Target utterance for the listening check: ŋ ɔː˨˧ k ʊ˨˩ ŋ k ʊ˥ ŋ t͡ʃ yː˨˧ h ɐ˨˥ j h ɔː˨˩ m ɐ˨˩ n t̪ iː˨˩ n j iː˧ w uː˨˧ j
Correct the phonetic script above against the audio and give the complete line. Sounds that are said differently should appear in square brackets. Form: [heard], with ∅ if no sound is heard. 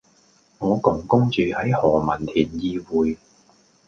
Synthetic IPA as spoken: ŋ ɔː˨˧ k ʊ˨˩ ŋ k ʊ˥ ŋ t͡ʃ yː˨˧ h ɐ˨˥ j h ɔː˨˩ m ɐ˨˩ n [t̪ʰ] iː˨˩ n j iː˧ w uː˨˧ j